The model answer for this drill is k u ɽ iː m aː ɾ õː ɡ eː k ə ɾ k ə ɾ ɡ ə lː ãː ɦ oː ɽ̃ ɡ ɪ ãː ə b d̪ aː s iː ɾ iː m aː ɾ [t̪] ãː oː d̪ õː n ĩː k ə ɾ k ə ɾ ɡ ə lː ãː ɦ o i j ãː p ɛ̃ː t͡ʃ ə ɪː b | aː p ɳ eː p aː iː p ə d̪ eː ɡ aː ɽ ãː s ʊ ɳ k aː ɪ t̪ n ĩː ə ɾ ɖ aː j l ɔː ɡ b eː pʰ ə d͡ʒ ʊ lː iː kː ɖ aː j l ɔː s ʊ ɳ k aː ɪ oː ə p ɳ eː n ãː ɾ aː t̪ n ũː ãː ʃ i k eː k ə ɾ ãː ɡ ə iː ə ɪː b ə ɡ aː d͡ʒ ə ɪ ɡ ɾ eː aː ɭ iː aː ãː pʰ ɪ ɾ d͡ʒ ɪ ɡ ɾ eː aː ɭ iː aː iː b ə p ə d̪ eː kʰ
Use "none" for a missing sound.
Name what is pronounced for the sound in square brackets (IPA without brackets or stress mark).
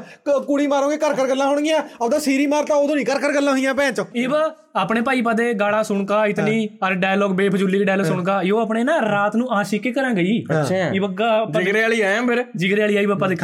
t̪